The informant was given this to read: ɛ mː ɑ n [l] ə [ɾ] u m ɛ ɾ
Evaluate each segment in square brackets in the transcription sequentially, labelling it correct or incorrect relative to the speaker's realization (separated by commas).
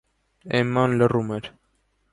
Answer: correct, incorrect